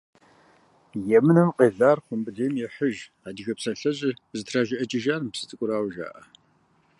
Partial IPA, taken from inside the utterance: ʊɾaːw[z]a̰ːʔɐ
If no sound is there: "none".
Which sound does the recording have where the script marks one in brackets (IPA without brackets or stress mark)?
ʒ